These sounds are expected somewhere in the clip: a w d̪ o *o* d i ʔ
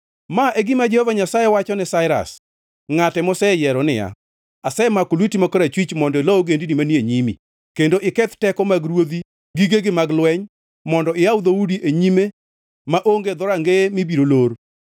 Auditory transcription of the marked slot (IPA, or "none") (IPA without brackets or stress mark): u